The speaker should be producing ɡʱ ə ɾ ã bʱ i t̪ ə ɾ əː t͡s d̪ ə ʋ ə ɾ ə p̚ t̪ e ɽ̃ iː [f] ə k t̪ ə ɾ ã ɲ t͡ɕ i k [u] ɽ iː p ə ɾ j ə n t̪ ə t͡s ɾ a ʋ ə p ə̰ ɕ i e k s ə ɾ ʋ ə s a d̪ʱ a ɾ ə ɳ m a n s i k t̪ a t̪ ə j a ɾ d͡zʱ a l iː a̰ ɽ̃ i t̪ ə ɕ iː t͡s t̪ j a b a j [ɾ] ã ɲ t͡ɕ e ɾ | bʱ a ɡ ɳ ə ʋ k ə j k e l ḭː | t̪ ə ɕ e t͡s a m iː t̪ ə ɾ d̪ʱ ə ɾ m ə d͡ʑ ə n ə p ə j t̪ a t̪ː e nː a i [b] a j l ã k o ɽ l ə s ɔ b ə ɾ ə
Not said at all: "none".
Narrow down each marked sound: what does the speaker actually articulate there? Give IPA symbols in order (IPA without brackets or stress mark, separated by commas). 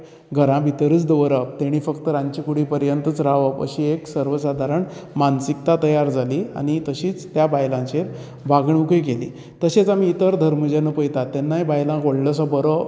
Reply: f, u, l, b